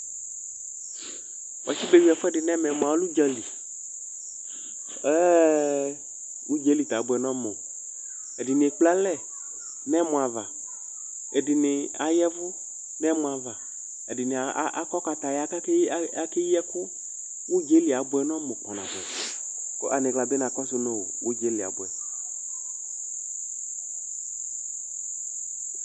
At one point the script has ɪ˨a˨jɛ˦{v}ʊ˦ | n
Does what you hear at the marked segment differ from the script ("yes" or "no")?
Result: no